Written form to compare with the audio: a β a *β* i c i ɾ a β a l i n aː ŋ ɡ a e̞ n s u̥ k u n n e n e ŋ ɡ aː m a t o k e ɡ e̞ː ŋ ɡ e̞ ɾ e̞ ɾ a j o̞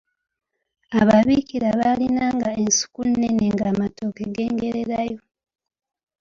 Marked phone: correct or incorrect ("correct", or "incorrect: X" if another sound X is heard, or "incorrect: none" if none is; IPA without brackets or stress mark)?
correct